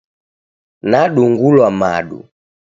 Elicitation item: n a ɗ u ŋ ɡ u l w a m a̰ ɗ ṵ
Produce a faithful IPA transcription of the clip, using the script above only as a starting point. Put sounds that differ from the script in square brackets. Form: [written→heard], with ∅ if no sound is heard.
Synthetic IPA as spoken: n a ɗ u ŋ ɡ u l w a m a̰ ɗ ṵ